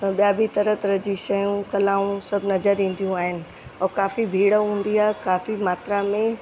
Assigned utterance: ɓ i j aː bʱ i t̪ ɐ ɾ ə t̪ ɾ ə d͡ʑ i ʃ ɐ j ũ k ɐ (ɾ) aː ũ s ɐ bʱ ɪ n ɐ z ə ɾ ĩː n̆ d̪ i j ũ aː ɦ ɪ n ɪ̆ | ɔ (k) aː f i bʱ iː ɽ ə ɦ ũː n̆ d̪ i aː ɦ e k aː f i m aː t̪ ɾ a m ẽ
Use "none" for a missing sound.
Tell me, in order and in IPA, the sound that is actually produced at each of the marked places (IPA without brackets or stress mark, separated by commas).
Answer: l, k